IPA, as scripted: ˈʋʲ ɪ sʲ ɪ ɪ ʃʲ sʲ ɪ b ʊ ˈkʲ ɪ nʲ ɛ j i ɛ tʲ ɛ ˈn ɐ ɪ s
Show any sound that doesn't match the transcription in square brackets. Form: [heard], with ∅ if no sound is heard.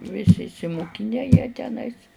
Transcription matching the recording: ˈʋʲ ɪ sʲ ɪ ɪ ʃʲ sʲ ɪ [m] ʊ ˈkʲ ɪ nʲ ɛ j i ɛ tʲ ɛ ˈn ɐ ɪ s